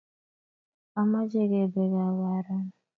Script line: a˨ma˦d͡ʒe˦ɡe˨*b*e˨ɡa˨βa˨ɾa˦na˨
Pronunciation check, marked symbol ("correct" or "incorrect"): correct